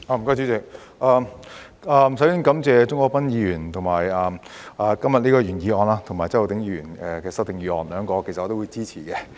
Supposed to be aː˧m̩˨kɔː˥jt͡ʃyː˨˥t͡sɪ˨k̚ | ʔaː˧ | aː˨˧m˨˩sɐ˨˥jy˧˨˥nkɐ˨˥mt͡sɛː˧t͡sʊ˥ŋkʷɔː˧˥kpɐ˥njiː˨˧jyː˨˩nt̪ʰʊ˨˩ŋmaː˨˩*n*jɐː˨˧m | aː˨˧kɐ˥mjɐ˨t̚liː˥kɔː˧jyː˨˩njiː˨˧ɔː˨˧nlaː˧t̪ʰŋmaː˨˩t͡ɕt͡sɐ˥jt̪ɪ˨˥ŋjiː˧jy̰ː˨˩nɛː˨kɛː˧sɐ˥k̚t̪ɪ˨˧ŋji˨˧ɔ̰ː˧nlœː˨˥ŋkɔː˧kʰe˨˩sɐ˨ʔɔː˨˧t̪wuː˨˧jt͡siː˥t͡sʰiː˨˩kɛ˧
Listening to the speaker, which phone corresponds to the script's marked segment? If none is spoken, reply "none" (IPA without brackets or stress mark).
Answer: none